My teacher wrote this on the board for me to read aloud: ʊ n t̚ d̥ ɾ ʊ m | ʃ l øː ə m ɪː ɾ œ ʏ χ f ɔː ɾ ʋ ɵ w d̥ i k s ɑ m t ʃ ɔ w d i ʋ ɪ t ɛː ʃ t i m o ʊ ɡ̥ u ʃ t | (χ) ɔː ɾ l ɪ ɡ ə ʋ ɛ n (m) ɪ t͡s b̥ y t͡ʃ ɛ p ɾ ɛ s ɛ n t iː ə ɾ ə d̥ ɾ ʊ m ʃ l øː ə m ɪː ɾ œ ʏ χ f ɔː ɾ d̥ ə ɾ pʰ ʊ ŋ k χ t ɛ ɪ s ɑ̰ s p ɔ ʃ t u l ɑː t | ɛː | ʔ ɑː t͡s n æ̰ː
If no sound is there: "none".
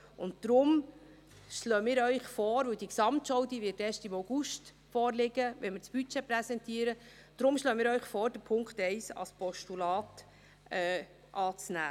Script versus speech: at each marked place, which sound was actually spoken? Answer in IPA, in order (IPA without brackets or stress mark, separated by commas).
f, m